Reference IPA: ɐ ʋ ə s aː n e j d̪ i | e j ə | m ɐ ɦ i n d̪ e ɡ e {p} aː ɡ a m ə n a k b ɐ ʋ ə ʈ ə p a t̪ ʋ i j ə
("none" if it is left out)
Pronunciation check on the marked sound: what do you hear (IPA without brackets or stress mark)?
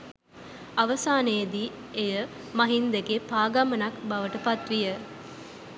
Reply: p